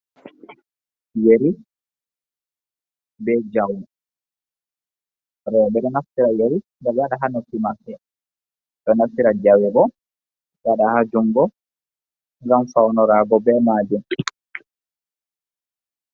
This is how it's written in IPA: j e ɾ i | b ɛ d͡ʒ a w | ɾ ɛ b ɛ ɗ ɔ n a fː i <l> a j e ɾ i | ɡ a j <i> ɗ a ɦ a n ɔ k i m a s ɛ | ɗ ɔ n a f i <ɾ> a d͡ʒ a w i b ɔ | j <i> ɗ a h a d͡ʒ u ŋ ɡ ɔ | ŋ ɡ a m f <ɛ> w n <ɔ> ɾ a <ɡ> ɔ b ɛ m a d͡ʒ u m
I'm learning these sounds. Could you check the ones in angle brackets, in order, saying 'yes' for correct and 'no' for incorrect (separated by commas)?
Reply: no, no, yes, no, no, yes, yes